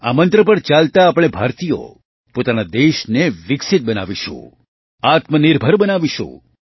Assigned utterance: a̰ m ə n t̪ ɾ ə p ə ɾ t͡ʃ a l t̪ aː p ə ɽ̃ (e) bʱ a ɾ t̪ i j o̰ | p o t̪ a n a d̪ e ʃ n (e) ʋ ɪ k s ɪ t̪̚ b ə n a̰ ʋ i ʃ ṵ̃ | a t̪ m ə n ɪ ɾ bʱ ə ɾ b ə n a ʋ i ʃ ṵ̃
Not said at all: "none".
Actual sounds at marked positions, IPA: e, e

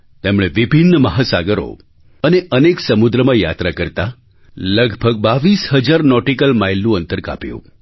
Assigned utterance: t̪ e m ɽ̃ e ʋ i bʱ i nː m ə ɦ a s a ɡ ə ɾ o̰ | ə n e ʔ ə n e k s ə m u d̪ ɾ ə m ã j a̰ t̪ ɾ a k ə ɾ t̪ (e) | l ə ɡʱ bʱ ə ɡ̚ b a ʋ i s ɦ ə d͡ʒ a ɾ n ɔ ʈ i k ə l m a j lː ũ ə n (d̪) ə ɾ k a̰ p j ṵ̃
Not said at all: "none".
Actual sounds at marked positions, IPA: a, t̪

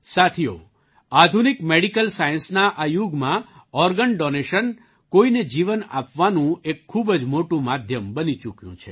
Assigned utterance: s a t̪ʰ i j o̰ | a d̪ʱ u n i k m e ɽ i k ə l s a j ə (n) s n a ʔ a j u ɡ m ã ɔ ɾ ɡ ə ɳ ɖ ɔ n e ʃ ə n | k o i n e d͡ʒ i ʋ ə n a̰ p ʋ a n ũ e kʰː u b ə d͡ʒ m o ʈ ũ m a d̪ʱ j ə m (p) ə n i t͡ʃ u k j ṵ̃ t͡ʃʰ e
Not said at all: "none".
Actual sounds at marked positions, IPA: n, b

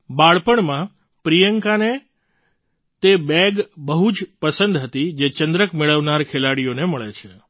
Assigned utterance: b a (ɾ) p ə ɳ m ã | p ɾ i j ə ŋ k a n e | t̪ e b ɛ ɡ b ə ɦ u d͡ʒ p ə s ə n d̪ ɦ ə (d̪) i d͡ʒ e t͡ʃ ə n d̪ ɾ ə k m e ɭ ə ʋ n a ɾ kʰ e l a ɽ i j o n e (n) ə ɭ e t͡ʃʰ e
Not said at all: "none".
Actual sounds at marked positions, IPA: ɭ, t̪, m

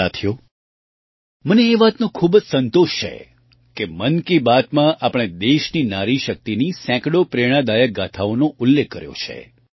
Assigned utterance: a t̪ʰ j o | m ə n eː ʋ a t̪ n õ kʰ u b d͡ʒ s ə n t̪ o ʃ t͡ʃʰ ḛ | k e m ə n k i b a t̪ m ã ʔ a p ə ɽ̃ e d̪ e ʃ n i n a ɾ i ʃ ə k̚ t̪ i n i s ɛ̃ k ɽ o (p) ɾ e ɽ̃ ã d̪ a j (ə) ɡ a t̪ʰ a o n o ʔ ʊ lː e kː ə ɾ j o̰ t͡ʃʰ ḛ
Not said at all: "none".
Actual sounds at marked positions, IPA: p, ə

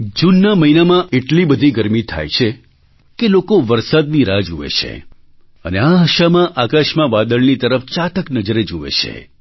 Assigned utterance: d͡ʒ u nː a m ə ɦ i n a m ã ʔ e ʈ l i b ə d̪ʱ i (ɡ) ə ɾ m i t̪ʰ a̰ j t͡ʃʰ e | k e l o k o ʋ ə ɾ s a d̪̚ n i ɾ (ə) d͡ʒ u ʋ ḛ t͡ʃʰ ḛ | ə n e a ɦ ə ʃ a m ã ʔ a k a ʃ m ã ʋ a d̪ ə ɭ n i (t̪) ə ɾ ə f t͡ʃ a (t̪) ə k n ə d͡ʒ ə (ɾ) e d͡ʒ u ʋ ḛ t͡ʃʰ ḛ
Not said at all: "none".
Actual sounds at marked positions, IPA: ɡ, a, t̪, t̪, ɾ

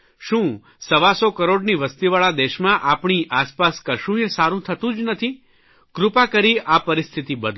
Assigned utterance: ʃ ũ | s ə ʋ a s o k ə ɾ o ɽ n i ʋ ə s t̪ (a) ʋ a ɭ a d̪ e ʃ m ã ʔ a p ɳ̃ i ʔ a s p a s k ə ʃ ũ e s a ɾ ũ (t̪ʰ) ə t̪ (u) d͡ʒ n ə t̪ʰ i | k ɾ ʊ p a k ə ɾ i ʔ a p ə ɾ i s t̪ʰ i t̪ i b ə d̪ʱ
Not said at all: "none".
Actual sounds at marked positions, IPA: i, t̪ʰ, ũ

